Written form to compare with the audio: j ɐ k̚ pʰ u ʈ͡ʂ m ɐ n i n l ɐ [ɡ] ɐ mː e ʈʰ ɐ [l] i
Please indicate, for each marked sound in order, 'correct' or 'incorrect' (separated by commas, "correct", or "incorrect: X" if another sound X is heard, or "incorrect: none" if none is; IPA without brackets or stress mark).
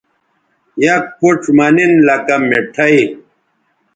incorrect: k, incorrect: none